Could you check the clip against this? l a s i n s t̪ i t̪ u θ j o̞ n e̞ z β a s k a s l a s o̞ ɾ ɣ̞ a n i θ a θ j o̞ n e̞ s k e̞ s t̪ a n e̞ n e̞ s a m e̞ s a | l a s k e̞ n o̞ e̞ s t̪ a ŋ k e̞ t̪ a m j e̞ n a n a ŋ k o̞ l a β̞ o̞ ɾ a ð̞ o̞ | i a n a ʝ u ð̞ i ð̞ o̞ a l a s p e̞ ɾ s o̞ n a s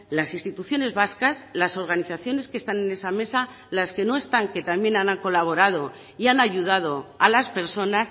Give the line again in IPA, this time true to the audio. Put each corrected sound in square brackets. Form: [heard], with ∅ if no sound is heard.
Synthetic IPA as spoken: l a s i n s t̪ i t̪ u θ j o̞ n e̞ z β a s k a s l a s o̞ ɾ ɣ̞ a n i θ a θ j o̞ n e̞ s k e̞ s t̪ a n e̞ n e̞ s a m e̞ s a | l a s k e̞ n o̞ e̞ s t̪ a ŋ k e̞ t̪ a m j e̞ n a n a ŋ k o̞ l a β̞ o̞ ɾ a ð̞ o̞ | i a n a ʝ u ð̞ [a] ð̞ o̞ a l a s p e̞ ɾ s o̞ n a s

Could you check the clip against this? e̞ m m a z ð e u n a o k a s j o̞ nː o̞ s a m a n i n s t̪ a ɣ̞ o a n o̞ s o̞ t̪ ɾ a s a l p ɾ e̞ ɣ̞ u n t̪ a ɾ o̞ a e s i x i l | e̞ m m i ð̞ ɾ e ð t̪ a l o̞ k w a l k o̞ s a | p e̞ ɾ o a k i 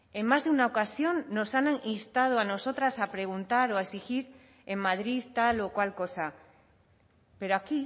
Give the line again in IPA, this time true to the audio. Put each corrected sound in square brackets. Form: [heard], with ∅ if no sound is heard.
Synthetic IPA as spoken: e̞ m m a z ð e u n a o k a s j o̞ nː o̞ s a [n] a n i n s t̪ a [ð̞] o a n o̞ s o̞ t̪ ɾ a s a [∅] p ɾ e̞ ɣ̞ u n t̪ a ɾ o̞ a e s i x i [ɾ] | e̞ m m [a] ð̞ ɾ [i] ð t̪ a l o̞ k w a l k o̞ s a | p e̞ ɾ o a k i

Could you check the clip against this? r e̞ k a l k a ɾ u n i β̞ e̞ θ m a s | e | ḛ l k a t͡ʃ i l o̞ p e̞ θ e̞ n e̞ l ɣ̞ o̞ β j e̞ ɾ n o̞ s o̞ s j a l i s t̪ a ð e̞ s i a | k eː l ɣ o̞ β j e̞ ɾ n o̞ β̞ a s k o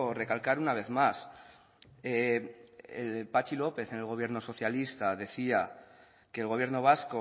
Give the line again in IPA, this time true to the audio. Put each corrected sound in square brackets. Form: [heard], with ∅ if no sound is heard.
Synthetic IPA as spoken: r e̞ k a l k a ɾ u n [a] β̞ e̞ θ m a s | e | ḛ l [p] a t͡ʃ i l o̞ p e̞ θ e̞ n e̞ l ɣ̞ o̞ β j e̞ ɾ n o̞ s o̞ [θ] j a l i s t̪ a ð e̞ [θ] i a | k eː l ɣ o̞ β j e̞ ɾ n o̞ β̞ a s k o

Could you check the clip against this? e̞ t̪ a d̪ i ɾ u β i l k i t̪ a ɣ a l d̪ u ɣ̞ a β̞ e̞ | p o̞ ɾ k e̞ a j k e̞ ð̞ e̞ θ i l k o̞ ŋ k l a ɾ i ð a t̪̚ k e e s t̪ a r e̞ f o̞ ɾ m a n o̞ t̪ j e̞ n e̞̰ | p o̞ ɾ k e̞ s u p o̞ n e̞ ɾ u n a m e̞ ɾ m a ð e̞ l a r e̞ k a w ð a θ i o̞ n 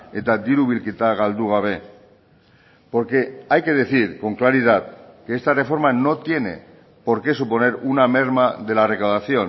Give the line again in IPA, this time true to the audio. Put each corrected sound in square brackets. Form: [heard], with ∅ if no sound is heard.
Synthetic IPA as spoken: e̞ t̪ a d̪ i ɾ u β i l k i t̪ a ɣ a l d̪ u ɣ̞ a β̞ e̞ | p o̞ ɾ k e̞ a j k e̞ ð̞ e̞ θ i [ɾ] k o̞ ŋ k l a ɾ i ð a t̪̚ k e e s t̪ a r e̞ f o̞ ɾ m a n o̞ t̪ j e̞ n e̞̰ | p o̞ ɾ k e̞ s u p o̞ n e̞ ɾ u n a m e̞ ɾ m a ð e̞ l a r e̞ k a w ð a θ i o̞ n

